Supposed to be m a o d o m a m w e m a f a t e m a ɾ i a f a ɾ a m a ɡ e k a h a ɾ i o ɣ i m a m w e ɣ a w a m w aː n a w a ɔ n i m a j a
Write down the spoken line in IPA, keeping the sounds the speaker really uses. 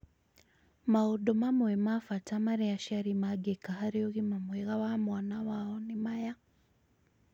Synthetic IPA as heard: m a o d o m a m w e m a f a t a m a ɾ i a ʃ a ɾ i m a ɡ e k a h a ɾ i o ɣ i m a m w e ɣ a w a m w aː n a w a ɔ n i m a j a